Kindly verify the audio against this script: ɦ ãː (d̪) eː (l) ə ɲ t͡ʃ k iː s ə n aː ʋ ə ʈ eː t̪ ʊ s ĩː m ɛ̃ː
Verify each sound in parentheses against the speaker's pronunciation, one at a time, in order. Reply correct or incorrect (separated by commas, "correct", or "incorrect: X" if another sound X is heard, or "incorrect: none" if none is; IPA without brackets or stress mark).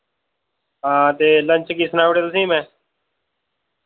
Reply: incorrect: t̪, correct